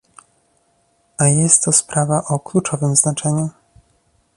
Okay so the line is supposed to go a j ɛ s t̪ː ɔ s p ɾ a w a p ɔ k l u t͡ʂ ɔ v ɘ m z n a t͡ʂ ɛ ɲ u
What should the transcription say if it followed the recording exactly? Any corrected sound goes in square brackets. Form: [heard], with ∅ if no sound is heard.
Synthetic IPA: a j ɛ s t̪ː ɔ s p ɾ a [v] a [ʔ] ɔ k l u t͡ʂ ɔ v ɘ m z n a t͡ʂ ɛ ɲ u